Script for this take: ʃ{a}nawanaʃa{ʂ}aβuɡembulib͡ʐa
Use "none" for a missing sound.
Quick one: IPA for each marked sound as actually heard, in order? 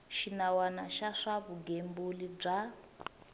i, ʂ

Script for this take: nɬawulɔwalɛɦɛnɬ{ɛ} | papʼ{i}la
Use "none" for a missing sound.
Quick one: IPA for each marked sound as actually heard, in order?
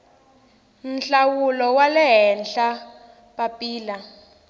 a, iː

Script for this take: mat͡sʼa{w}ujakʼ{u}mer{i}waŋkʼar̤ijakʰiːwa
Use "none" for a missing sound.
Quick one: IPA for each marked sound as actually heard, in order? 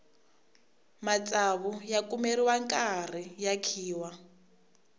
β, u, i

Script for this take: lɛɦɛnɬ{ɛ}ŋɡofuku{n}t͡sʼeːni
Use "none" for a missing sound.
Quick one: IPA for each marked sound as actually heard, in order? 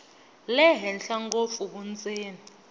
a, n

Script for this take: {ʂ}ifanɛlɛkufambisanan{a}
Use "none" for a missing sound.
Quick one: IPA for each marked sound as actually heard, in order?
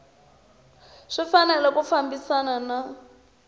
ʂ, a

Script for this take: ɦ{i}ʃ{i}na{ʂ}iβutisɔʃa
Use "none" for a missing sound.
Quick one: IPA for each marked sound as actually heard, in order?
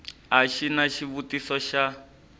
a, i, ʃ

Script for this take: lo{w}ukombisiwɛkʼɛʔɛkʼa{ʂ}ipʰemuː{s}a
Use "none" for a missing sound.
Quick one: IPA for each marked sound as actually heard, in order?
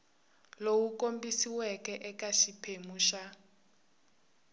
w, ʃ, ʃ

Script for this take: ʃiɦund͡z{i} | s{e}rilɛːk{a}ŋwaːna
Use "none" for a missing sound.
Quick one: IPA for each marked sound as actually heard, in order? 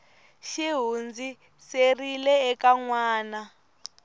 i, e, a

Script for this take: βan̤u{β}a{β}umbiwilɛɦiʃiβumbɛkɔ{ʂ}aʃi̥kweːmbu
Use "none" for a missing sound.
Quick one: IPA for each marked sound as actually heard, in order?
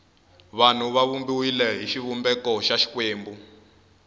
β, β, ʃ

